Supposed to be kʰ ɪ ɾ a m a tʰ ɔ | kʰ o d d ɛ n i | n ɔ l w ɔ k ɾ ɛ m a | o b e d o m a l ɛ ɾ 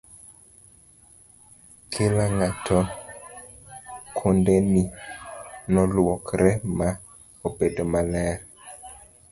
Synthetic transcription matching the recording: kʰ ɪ l a ŋ a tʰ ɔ | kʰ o n d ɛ n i | n ɔ l w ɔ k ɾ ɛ m a | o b e d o m a l ɛ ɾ